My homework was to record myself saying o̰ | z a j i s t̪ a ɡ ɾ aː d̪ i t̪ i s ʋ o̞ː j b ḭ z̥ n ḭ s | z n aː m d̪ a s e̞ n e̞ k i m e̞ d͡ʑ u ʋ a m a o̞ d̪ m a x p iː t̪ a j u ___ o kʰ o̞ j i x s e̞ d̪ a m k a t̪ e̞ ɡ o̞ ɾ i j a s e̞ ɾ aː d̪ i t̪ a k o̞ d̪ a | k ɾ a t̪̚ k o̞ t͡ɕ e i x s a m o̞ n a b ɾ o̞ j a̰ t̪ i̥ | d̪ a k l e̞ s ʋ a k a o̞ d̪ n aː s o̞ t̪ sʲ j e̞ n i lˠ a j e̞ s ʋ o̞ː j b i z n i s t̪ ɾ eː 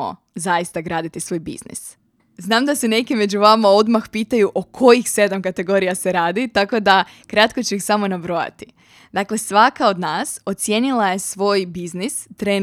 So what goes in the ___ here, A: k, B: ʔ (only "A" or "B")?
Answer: B